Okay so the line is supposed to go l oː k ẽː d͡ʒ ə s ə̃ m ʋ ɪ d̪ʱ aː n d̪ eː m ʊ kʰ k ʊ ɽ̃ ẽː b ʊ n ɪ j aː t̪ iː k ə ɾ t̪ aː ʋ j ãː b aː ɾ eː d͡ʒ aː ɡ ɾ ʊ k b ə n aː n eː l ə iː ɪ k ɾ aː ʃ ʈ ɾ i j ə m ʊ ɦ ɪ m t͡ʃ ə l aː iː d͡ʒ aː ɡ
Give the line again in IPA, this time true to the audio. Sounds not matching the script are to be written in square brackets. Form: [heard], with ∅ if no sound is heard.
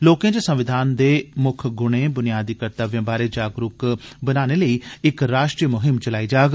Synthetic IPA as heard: l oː k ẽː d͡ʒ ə s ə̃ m ʋ ɪ d̪ʱ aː n d̪ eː m ʊ kʰ [ɡ] ʊ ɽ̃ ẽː b ʊ n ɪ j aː [d̪] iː k ə ɾ t̪ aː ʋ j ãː b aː ɾ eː d͡ʒ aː ɡ ɾ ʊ k b ə n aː n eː l ə iː ɪ k ɾ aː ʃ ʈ ɾ i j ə m ʊ ɦ ɪ m t͡ʃ ə l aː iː d͡ʒ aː ɡ